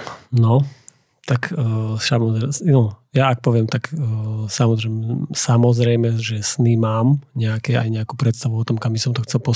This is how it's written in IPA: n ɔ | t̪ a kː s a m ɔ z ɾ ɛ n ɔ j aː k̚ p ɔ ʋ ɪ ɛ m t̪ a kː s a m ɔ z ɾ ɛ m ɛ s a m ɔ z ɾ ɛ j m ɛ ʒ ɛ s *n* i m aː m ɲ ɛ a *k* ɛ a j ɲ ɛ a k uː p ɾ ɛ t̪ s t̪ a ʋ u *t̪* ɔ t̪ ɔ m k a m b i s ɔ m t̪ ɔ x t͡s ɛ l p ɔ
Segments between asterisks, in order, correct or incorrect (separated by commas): correct, correct, incorrect